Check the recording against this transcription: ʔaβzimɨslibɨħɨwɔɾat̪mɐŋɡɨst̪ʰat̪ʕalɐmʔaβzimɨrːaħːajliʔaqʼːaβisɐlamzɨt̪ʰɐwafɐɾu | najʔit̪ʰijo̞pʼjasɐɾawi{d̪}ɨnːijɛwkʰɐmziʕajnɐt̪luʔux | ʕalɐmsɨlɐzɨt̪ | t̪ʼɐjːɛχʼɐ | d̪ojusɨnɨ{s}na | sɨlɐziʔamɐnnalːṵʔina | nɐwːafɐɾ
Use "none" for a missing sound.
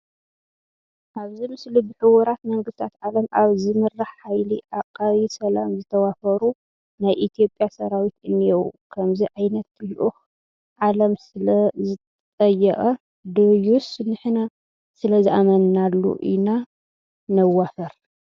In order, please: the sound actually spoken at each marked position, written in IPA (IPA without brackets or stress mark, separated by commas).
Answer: t̪, ħ